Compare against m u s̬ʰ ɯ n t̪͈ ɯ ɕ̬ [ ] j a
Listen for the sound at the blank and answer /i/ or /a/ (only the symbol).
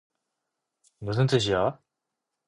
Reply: i